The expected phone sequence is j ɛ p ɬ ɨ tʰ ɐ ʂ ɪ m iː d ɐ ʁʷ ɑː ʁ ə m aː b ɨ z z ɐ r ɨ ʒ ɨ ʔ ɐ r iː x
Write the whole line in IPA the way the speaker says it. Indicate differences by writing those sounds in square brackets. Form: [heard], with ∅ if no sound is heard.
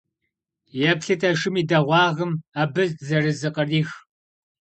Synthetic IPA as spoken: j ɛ p ɬ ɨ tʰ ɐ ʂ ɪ m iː d ɐ ʁʷ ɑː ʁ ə m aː b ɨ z z ɐ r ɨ [z] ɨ [q] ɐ r iː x